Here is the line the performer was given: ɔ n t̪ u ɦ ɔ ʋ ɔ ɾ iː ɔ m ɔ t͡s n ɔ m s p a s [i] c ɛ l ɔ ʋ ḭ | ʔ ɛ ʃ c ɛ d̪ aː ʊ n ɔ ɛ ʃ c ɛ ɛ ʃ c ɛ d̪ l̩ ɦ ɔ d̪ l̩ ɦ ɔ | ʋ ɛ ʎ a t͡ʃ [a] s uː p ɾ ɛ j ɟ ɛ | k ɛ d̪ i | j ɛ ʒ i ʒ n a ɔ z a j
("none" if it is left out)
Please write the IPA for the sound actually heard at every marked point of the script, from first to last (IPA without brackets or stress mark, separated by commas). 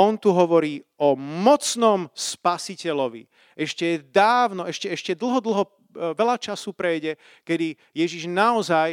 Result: i, a